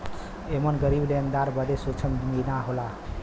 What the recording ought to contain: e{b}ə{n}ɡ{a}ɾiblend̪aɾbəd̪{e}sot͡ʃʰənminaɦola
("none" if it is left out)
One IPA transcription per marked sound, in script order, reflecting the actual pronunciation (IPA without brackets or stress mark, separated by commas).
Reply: m, n, ə, e